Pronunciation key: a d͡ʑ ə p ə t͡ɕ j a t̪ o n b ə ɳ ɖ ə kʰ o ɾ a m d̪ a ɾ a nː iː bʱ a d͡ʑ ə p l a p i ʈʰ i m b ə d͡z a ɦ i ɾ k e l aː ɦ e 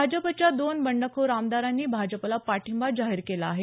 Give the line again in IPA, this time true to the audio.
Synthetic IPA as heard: a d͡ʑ ə p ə t͡ɕ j a d̪ o n b ə ɳ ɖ ə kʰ o ɾ a m d̪ a ɾ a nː iː bʱ a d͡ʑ ə p l a p a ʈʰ i m b a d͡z a ɦ i ɾ k e l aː ɦ e